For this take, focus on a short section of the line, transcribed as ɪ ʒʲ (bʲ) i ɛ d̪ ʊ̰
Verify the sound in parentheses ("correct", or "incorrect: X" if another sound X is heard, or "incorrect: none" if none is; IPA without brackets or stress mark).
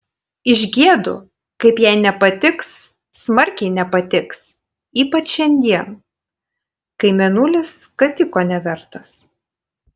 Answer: incorrect: ɡʲ